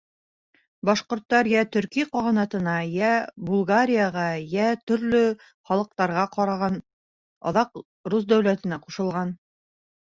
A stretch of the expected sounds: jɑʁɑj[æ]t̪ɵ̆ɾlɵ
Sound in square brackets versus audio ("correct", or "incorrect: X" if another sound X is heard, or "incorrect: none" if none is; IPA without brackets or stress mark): correct